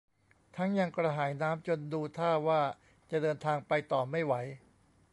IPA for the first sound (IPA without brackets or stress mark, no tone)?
t̪ʰ